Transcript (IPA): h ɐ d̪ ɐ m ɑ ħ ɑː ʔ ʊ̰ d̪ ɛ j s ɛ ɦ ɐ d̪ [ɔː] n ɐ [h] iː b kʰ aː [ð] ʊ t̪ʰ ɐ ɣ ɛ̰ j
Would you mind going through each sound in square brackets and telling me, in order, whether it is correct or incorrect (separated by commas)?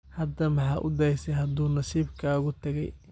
incorrect, incorrect, incorrect